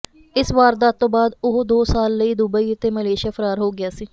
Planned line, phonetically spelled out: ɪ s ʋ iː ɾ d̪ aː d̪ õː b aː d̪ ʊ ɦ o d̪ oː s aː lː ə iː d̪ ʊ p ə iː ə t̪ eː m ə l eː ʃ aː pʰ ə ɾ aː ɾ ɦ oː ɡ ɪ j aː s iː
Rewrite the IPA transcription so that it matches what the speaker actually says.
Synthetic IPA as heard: ɪ s ʋ aː ɾ d̪ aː t̪ õː b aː d̪ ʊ ɦ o d̪ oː s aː lː ə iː d̪ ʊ b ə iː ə t̪ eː m ə l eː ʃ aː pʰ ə ɾ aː ɾ ɦ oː ɡ ɪ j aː s iː

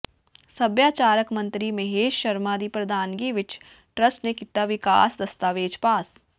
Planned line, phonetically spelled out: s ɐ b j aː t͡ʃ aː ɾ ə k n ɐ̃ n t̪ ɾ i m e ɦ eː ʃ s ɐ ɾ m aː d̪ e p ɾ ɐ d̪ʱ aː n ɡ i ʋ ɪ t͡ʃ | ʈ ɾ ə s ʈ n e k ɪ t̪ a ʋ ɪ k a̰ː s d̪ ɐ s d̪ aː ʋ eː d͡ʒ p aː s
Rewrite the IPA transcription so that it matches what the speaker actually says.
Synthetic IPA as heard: s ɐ b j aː t͡ʃ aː ɾ ə k m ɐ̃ n t̪ ɾ i m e ɦ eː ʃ ʃ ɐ ɾ m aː d̪ i p ɾ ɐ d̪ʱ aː n ɡ i ʋ ɪ t͡ʃ | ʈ ɾ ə s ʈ n e k ɪ t̪ a ʋ ɪ k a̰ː s d̪ ɐ s t̪ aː ʋ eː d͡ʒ p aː s

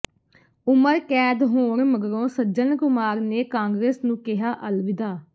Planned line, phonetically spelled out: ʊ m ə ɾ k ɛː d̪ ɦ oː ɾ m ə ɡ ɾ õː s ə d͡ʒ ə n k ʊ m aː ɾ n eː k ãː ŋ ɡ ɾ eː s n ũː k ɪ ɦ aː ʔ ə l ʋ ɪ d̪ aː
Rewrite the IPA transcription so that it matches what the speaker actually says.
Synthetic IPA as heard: ʊ m ə ɾ k ɛː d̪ ɦ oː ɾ m ə ɡ ɾ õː s ə d͡ʒ ə n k ʊ m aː ɾ n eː k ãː ŋ ɡ ɾ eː s n ũː k ɪ ɦ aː ʔ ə l ʋ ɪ d̪ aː

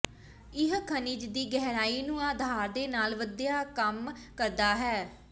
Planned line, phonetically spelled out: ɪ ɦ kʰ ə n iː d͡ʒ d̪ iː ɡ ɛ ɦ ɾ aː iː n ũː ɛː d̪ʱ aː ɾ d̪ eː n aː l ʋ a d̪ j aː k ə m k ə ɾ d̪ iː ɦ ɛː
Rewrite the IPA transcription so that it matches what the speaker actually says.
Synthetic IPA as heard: ɪ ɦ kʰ ə n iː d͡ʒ d̪ iː ɡ ɛ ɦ ɾ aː iː n ũː aː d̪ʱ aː ɾ d̪ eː n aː l ʋ ə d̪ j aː k ə m k ə ɾ d̪ aː ɦ ɛː

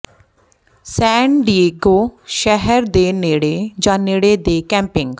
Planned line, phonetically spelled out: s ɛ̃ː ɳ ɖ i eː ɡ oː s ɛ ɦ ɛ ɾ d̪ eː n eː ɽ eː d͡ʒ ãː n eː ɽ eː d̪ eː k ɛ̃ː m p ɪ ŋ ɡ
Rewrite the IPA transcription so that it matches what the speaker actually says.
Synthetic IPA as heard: s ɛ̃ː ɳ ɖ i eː ɡ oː ʃ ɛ ɦ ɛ ɾ d̪ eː n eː ɽ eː d͡ʒ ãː n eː ɽ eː d̪ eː k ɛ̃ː m p ɪ ŋ ɡ

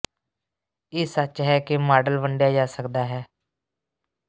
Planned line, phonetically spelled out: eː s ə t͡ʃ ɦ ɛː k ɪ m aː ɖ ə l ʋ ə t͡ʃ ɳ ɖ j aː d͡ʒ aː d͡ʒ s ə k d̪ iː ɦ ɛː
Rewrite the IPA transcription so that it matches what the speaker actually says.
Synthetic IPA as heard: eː s ə t͡ʃ ɦ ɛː k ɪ m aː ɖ ə l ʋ ə ɳ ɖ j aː d͡ʒ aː s ə k d̪ aː ɦ ɛː

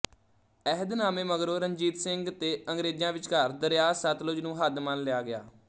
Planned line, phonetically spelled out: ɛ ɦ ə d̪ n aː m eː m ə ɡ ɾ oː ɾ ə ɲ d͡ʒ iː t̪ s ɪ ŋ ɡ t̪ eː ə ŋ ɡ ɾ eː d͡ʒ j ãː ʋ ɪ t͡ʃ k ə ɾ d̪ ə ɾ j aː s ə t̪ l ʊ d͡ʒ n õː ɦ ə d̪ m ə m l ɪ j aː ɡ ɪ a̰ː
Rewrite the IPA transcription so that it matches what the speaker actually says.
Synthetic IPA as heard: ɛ ɦ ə d̪ n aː m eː m ə ɡ ɾ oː ɾ ə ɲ d͡ʒ iː t̪ s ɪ ŋ ɡ t̪ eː ə ŋ ɡ ɾ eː d͡ʒ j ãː ʋ ɪ t͡ʃ k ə ɾ d̪ ə ɾ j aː s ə t̪ l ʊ d͡ʒ n ũː ɦ ə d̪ m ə n l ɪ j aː ɡ ɪ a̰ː

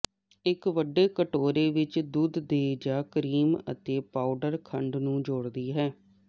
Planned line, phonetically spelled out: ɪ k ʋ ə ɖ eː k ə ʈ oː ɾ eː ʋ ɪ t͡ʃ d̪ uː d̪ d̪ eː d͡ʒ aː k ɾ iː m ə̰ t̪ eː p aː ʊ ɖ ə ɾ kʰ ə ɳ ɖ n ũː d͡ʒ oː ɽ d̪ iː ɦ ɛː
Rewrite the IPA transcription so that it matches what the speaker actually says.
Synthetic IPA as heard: ɪ k ʋ ə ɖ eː k ə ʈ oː ɾ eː ʋ ɪ t͡ʃ d̪ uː d̪ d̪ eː d͡ʒ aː k ɾ iː m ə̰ t̪ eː p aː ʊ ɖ ə ɾ kʰ ə ɳ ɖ n ũː d͡ʒ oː ɽ d̪ iː ɦ ɛː

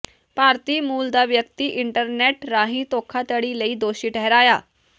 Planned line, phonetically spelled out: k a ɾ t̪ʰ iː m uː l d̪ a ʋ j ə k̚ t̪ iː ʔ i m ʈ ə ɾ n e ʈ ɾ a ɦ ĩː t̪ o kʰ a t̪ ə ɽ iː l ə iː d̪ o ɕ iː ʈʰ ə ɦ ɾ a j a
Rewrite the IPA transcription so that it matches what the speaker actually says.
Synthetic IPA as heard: p a ɾ t̪ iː m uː l d̪ a ʋ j ə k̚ t̪ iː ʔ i ɳ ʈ ə ɾ n e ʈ ɾ a ɦ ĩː t̪ o kʰ a t̪ ə ɽ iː l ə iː d̪ o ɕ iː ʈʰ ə ɦ ɾ a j a

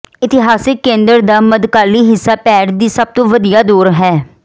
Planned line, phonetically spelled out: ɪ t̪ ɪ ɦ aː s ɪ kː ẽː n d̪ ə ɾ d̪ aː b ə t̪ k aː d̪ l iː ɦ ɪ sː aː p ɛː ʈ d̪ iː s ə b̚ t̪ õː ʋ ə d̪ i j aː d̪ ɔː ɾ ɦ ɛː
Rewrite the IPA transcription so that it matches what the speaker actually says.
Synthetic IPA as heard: ɪ t̪ ɪ ɦ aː s ɪ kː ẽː n d̪ ə ɾ d̪ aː m ə d̪ k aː l iː ɦ ɪ sː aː p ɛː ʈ d̪ iː s ə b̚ t̪ õː ʋ ə d̪ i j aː d̪ uː ɾ ɦ ɛː

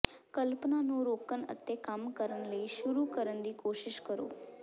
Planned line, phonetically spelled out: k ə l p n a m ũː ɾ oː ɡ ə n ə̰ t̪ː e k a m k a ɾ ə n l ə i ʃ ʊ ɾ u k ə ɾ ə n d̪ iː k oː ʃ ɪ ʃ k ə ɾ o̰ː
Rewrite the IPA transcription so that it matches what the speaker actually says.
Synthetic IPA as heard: k ə l p n a n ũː ɾ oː k ə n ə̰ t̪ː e k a m k ə ɾ ə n l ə i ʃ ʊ ɾ u k ə ɾ ə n d̪ iː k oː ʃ ɪ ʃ k ə ɾ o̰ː

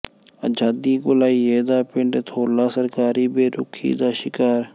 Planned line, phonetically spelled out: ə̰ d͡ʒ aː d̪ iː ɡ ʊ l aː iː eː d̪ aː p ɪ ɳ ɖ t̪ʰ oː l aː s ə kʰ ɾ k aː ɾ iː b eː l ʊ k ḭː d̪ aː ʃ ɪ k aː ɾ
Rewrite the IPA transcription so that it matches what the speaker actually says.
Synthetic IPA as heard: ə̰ d͡ʒ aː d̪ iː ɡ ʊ l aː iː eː d̪ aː p ɪ ɳ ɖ t̪ʰ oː l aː s ə ɾ k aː ɾ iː b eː ɾ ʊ kʰ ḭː d̪ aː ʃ ɪ k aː ɾ

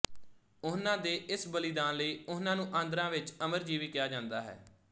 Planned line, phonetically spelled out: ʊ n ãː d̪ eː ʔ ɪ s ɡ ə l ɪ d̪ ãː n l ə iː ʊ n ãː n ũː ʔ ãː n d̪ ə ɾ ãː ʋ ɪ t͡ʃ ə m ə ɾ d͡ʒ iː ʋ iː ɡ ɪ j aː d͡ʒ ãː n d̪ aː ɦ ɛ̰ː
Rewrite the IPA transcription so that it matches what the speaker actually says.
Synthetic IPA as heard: ʊ n ãː d̪ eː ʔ ɪ s b ə l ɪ d̪ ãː n l ə iː ʊ n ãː n ũː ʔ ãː n d̪ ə ɾ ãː ʋ ɪ t͡ʃ ə m ə ɾ d͡ʒ iː ʋ iː k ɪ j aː d͡ʒ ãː n d̪ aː ɦ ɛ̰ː

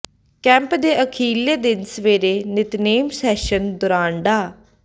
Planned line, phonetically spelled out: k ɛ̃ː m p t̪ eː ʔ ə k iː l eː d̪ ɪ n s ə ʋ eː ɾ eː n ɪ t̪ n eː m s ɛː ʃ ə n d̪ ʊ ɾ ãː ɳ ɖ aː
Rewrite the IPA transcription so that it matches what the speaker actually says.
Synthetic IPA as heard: k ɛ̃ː m p d̪ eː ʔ ə kʰ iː l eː d̪ ɪ n s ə ʋ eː ɾ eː n ɪ t̪ n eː m s ɛː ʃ ə n d̪ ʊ ɾ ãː ɳ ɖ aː

